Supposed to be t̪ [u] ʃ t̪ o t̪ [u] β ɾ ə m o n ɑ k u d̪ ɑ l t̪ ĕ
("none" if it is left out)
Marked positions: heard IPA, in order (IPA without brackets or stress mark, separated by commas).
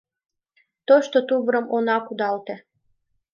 o, u